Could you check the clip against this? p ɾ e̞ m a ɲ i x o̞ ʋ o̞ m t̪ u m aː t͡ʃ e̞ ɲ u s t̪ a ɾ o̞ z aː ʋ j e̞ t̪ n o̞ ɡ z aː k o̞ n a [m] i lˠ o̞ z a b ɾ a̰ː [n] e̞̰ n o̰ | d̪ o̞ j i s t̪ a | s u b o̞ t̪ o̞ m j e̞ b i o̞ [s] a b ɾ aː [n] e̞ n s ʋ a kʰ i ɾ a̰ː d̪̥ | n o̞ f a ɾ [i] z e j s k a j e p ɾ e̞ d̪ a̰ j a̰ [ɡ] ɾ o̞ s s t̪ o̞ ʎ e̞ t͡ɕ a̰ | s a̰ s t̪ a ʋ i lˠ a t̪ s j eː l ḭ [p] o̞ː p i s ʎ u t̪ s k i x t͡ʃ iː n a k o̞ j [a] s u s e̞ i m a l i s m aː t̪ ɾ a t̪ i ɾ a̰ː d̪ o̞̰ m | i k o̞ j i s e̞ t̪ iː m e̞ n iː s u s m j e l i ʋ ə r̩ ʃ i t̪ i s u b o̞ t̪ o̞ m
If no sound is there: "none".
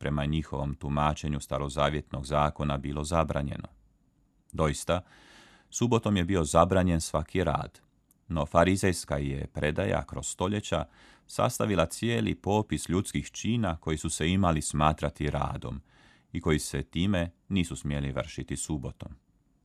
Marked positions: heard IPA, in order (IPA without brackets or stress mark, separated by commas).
b, ɲ, z, ɲ, i, k, p, i